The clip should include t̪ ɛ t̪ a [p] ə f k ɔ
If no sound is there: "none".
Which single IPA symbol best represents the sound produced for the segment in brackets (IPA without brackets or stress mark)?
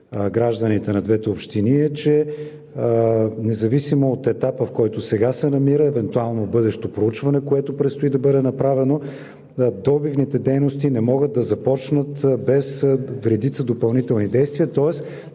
p